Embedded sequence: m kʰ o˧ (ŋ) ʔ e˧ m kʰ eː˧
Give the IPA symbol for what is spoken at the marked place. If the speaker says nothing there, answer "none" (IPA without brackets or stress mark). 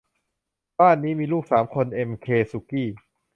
n